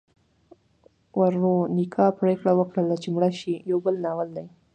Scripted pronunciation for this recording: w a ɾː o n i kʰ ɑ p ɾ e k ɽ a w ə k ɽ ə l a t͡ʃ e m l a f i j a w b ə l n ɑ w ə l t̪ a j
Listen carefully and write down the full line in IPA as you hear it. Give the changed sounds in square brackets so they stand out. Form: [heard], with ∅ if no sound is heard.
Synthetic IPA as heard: w a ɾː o n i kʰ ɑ p ɾ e k ɽ a w ə k ɽ ə l a t͡ʃ e m [ɽ] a [ʃ] i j a w b ə l n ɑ w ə l [d̪] a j

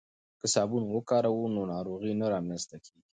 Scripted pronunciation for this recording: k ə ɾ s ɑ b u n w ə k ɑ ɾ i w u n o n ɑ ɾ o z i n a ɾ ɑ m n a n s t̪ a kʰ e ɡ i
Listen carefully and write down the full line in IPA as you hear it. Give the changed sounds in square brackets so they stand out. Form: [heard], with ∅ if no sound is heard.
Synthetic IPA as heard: k ə [∅] s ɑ b u n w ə k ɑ ɾ [a] w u n o n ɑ ɾ o [ɣ] i n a ɾ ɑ m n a n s t̪ a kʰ e ɡ i

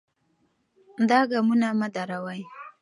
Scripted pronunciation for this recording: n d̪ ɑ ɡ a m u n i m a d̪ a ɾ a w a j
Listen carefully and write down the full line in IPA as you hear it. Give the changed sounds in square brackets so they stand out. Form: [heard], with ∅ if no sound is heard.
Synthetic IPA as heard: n d̪ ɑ ɡ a m u n [a] m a d̪ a ɾ a w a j

